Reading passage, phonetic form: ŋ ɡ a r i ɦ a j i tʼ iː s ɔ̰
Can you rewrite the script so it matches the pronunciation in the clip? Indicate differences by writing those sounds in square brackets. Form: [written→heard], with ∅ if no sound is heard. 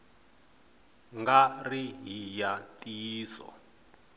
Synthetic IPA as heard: ŋ ɡ a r i ɦ [a→i] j [i→a] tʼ iː s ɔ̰